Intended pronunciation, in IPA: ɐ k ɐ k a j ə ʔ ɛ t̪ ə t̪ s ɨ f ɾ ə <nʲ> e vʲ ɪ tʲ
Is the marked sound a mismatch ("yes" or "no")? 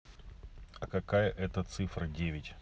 yes